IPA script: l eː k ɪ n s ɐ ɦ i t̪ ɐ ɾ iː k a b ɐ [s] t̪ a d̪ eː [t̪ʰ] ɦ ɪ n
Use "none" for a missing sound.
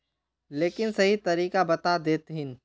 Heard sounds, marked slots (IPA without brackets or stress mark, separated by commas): none, t̪